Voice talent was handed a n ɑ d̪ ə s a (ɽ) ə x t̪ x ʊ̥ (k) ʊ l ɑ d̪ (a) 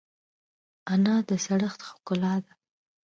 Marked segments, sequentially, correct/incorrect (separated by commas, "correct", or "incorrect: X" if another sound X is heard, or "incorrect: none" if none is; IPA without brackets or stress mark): correct, correct, correct